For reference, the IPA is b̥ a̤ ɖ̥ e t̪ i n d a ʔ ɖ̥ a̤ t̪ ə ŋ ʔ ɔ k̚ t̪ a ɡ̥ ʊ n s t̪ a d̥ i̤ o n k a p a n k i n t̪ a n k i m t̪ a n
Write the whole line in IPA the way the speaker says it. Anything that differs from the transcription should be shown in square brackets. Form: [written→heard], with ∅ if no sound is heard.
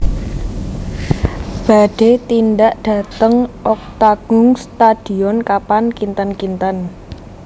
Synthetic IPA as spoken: b̥ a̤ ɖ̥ e t̪ i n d a ʔ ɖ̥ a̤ t̪ ə ŋ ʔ ɔ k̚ t̪ a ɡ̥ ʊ [n→ŋ] s t̪ a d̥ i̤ [o→ɔ] n k a p a n k i n t̪ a n k i [m→n] t̪ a n